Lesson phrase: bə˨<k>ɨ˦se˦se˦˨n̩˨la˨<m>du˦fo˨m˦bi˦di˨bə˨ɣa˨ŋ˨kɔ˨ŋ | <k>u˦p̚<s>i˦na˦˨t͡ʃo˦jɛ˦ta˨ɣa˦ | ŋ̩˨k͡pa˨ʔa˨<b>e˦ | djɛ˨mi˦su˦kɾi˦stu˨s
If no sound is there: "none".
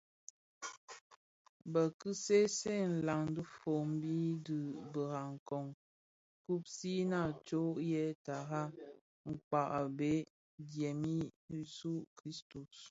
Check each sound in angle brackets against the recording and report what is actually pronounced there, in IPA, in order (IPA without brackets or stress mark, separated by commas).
k, ŋ, k, s, b